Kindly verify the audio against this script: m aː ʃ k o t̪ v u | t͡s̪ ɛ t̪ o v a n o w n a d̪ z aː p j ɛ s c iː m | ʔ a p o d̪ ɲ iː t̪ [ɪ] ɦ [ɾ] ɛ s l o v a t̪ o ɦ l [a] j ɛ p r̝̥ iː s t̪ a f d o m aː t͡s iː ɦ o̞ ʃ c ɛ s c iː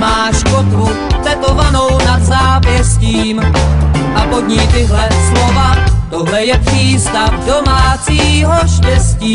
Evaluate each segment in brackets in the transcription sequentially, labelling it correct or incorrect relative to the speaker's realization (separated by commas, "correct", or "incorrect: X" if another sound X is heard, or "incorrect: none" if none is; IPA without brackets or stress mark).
correct, incorrect: l, incorrect: ɛ